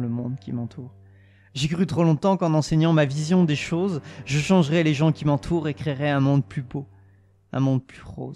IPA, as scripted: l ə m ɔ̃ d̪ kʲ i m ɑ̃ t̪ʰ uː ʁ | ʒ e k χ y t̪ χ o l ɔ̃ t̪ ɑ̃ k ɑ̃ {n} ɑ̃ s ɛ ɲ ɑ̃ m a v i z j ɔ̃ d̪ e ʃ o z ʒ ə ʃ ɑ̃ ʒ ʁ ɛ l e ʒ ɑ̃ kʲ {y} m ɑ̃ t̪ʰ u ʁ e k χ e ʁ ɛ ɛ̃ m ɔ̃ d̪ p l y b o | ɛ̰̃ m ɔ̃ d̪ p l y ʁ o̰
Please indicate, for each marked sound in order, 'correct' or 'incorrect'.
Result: correct, incorrect

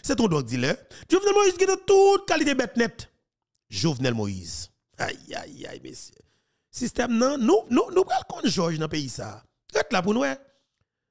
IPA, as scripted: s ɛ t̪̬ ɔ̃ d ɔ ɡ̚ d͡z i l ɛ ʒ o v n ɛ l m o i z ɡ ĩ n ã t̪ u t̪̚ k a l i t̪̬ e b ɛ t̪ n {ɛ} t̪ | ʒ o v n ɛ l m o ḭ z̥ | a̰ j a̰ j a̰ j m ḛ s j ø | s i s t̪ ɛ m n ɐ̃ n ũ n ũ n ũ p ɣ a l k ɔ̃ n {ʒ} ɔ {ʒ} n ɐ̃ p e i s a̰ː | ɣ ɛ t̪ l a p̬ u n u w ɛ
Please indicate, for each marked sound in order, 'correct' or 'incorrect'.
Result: correct, correct, correct

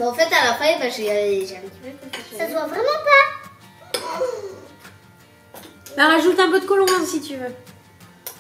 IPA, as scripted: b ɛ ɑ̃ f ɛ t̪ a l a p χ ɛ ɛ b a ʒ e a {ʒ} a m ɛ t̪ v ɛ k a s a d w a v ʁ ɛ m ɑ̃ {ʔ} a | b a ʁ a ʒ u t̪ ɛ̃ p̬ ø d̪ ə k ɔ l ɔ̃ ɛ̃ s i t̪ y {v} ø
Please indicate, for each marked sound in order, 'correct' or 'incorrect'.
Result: correct, incorrect, correct

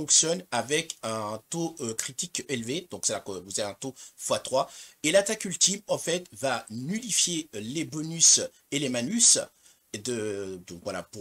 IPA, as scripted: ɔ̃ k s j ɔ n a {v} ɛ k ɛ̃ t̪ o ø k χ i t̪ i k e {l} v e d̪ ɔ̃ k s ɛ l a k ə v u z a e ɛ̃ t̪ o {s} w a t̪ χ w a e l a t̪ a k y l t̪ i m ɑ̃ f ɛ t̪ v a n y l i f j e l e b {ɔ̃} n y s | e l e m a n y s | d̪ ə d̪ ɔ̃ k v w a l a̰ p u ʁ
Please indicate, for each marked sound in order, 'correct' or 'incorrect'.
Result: correct, correct, incorrect, incorrect

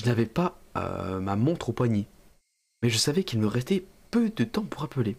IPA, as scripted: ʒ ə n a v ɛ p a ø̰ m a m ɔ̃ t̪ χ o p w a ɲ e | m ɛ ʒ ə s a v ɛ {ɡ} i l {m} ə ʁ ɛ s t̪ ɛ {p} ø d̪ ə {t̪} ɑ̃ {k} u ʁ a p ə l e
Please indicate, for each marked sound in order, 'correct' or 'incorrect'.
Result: incorrect, correct, correct, correct, incorrect

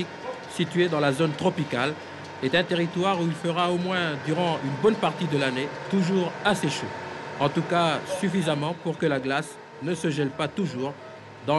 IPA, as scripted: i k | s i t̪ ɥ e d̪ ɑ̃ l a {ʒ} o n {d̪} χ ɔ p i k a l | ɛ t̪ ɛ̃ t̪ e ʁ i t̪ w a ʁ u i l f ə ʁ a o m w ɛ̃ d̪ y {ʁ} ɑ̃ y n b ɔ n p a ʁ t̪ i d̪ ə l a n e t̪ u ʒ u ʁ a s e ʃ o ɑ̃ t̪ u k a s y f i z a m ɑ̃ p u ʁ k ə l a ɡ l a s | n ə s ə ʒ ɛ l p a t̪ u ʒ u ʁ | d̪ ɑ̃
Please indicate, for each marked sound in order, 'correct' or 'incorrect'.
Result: incorrect, incorrect, correct

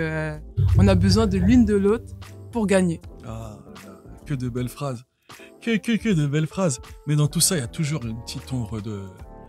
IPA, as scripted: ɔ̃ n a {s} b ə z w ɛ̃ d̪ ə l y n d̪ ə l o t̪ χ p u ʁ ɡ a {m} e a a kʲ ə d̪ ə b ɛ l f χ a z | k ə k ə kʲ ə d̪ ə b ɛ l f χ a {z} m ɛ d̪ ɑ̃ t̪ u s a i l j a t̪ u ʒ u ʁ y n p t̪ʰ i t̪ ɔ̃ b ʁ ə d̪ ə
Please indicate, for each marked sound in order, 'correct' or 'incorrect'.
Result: incorrect, incorrect, correct

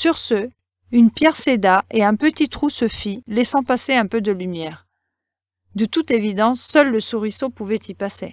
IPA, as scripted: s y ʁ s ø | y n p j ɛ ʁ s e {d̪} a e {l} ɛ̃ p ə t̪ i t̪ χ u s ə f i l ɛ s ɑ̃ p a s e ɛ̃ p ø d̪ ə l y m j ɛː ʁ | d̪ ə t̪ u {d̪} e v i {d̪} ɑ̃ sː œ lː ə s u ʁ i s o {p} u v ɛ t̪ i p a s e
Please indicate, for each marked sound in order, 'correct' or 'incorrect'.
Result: correct, incorrect, incorrect, correct, correct

